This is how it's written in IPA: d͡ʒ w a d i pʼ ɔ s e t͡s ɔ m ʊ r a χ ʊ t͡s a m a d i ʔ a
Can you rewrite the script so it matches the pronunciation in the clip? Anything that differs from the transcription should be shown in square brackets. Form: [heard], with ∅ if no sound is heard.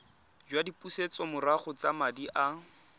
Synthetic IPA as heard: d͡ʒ w a d i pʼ [u] s e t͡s ɔ m ʊ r a χ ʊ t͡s a m a d i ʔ a

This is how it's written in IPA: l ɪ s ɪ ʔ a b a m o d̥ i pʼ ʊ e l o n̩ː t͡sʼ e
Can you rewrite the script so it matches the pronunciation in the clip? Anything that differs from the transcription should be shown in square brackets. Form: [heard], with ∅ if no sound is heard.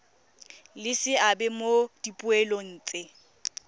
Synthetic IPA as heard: l ɪ s ɪ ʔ a b [ɛ] m o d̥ i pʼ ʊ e l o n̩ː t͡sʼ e

